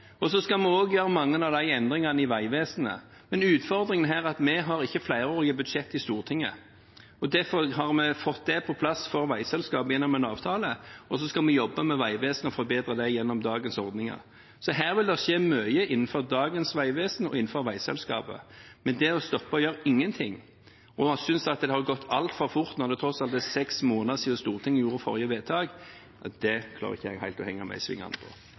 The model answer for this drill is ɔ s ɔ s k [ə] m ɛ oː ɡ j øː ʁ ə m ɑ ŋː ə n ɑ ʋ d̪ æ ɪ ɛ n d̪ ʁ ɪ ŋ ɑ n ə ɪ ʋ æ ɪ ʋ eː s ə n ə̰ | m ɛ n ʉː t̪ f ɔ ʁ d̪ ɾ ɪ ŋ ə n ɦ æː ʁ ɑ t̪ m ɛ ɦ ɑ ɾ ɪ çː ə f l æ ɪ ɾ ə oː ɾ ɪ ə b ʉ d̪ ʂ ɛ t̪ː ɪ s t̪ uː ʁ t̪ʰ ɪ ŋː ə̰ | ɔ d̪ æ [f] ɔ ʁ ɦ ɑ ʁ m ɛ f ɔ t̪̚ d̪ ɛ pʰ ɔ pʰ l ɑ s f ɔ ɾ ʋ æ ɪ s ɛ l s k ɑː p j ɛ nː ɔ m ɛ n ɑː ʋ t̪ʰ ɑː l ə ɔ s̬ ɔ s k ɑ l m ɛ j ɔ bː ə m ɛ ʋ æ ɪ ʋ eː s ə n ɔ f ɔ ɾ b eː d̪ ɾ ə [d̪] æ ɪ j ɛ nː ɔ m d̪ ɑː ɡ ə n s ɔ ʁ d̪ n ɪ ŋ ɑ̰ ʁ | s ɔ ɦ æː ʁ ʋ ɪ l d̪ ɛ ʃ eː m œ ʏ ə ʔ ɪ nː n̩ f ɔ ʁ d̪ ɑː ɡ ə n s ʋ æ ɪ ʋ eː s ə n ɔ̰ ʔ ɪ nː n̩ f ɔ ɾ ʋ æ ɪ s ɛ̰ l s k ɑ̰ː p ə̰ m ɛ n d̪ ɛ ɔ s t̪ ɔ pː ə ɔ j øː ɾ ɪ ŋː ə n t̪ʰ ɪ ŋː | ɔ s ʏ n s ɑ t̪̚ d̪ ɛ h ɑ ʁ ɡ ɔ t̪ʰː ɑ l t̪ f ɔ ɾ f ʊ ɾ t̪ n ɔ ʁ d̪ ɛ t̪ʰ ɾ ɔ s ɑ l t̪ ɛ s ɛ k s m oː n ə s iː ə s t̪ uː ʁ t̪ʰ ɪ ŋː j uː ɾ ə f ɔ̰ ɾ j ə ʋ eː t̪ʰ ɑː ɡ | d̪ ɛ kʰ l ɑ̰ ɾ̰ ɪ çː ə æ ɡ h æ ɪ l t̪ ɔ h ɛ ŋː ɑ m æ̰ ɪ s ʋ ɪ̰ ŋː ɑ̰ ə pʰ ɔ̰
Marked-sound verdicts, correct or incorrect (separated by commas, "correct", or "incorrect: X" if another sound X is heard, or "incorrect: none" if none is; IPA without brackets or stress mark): incorrect: ɑ, correct, correct